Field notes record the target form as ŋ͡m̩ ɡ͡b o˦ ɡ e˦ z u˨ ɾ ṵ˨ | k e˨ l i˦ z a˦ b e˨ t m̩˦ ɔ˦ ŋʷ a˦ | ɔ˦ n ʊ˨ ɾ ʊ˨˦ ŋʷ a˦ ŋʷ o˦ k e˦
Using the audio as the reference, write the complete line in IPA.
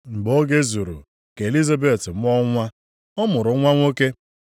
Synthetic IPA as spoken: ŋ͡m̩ ɡ͡b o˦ ɡ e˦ z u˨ ɾ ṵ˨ | k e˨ l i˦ z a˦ b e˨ t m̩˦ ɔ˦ ŋʷ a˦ | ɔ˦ m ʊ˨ ɾ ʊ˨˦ ŋʷ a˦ ŋʷ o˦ k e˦